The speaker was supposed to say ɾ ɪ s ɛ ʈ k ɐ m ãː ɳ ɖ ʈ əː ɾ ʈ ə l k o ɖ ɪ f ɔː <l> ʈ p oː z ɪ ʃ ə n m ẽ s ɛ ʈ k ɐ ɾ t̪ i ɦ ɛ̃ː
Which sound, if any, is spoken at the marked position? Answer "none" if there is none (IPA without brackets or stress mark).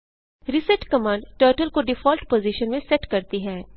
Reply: l